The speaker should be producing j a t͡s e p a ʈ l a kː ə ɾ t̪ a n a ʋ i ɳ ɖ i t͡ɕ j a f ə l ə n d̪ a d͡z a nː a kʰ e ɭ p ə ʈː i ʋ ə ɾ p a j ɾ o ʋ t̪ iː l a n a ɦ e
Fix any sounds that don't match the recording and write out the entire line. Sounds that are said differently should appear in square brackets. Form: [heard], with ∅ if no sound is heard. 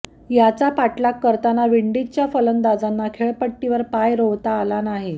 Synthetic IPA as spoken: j a t͡s [a] p a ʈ l a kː ə ɾ t̪ a n a ʋ i ɳ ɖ i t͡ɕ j a f ə l ə n d̪ a d͡z a nː a kʰ e ɭ p ə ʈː i ʋ ə ɾ p a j ɾ o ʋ t̪ [aː] l a n a ɦ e